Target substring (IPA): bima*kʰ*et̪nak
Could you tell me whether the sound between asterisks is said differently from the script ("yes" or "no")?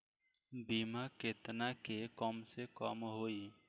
yes